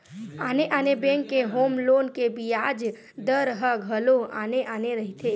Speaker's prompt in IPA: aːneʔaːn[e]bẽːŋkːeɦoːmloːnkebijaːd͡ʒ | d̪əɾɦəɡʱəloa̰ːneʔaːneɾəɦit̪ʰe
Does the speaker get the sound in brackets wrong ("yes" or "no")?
no